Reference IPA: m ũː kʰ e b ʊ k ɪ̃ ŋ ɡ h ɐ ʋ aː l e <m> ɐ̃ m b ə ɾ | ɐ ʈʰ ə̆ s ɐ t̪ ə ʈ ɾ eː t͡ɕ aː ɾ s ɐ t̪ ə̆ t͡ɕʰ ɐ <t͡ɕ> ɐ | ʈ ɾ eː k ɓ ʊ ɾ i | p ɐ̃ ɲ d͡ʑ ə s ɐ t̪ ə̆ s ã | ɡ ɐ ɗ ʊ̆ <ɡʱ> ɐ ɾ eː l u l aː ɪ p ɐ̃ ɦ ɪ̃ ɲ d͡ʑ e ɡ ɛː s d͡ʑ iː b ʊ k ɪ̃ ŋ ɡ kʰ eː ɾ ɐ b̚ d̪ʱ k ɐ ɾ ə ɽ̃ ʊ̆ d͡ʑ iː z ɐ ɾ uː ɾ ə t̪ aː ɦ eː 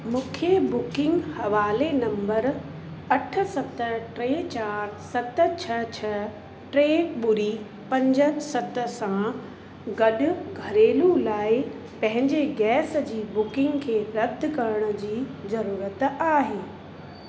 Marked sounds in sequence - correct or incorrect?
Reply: incorrect: n, incorrect: t͡ɕʰ, correct

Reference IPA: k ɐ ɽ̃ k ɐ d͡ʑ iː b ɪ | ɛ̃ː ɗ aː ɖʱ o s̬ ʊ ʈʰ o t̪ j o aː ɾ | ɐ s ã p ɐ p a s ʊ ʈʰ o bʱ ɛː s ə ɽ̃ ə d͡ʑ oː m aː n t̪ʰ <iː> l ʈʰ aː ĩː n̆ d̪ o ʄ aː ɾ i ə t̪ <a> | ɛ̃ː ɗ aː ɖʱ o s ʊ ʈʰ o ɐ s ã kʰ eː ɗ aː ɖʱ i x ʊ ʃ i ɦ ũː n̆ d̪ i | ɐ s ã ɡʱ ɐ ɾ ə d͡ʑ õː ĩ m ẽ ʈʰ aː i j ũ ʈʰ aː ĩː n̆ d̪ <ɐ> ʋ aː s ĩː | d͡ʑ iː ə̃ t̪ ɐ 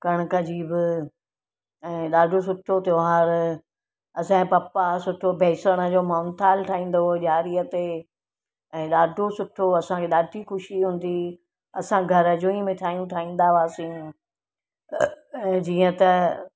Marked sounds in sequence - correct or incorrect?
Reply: incorrect: aː, incorrect: e, incorrect: a

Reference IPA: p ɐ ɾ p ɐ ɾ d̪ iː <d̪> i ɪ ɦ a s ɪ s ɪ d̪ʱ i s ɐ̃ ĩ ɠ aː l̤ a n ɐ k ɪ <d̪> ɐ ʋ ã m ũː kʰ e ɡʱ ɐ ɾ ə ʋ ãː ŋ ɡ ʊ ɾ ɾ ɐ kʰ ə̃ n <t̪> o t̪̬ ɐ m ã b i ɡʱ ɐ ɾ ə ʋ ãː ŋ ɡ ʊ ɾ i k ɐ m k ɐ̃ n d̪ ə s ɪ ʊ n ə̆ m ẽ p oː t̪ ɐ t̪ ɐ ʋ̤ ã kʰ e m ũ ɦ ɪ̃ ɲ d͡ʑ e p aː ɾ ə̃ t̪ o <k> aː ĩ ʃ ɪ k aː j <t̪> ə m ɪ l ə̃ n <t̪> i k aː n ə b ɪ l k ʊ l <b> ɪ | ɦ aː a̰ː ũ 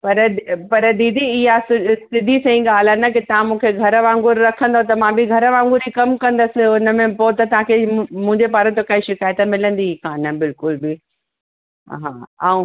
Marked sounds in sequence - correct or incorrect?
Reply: correct, incorrect: t̪, incorrect: d̪, correct, correct, incorrect: d̪, correct

